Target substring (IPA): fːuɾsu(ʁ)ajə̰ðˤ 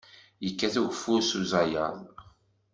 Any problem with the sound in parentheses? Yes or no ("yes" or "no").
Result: yes